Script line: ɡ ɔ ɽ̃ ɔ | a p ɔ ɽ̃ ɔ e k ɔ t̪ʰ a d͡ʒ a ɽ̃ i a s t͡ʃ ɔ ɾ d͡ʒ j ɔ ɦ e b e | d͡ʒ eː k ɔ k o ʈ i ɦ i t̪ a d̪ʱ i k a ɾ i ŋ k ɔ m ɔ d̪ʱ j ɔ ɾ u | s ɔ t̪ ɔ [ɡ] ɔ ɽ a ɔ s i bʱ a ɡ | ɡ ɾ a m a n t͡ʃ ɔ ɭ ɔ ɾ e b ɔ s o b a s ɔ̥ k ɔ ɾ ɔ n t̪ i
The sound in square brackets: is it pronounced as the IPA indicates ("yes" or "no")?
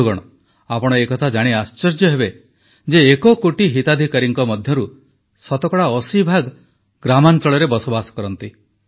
no